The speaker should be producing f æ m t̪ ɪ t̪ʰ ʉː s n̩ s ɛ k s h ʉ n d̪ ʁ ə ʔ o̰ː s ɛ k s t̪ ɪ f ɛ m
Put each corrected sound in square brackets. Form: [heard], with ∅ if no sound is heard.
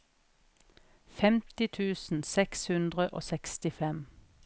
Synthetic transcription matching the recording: f [ɛ] m t̪ ɪ t̪ʰ ʉː s n̩ s ɛ k s h ʉ n d̪ ʁ ə ʔ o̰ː s ɛ k s t̪ ɪ f ɛ m

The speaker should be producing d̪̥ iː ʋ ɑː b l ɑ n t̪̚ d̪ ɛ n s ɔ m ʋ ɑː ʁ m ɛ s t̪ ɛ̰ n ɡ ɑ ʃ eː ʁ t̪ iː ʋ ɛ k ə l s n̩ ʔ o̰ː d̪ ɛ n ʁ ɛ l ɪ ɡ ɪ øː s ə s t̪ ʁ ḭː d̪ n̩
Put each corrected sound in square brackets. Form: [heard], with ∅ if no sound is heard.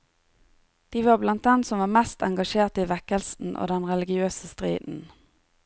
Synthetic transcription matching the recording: d̪̥ iː ʋ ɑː b l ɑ n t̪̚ d̪ ɛ n s ɔ m ʋ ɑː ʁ m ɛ s t̪ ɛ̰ [ŋ] ɡ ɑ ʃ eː ʁ t̪ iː ʋ ɛ k ə l s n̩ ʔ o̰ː d̪ ɛ n ʁ ɛ l ɪ ɡ ɪ øː s ə s t̪ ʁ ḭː d̪ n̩

